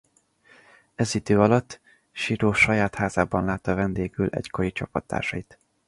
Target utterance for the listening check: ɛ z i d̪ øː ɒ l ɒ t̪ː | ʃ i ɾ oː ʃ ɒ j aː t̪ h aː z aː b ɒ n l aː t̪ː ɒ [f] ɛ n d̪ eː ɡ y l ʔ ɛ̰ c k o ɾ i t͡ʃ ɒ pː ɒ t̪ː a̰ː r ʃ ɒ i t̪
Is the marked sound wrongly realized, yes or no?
yes